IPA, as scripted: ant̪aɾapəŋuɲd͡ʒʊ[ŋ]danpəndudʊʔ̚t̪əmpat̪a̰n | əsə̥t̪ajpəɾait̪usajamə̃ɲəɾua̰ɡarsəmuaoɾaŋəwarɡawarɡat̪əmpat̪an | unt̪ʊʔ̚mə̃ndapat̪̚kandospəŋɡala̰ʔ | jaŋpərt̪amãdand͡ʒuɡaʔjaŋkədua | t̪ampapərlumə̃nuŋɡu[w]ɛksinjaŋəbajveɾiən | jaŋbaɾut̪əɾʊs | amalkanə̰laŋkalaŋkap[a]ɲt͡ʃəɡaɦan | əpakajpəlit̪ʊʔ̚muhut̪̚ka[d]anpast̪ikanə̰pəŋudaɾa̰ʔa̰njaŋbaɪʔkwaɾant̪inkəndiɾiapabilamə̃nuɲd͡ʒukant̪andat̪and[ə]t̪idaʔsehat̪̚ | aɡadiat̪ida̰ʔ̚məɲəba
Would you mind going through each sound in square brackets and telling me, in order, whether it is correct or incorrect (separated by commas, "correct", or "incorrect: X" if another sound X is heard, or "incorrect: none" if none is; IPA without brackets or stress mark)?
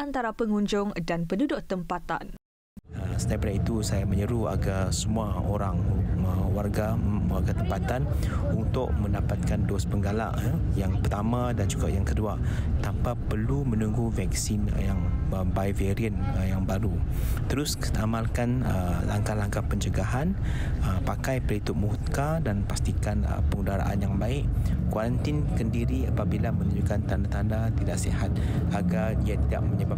correct, incorrect: v, incorrect: ə, correct, incorrect: a